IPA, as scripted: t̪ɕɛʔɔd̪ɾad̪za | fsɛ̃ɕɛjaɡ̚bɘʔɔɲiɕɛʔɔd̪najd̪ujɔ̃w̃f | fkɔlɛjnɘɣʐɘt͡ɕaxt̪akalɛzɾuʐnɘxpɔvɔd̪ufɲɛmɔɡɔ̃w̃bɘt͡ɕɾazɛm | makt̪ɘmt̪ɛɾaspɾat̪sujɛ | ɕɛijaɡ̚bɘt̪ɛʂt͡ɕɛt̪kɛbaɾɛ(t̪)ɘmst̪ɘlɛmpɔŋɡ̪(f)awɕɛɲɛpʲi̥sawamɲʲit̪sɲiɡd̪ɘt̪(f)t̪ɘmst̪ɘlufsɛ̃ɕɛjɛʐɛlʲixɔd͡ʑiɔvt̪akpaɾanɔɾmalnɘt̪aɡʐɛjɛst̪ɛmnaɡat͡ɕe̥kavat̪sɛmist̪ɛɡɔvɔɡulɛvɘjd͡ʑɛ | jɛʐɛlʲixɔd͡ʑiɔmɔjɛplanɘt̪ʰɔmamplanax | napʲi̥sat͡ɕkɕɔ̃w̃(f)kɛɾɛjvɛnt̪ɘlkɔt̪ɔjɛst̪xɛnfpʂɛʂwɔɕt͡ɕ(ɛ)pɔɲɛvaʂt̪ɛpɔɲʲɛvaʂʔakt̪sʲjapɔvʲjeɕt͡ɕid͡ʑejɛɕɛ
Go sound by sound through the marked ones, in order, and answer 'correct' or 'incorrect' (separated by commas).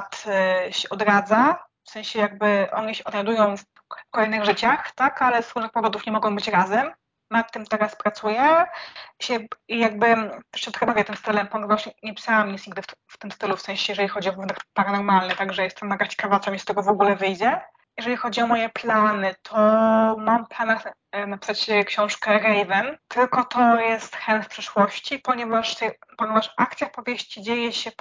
correct, incorrect, correct, incorrect, incorrect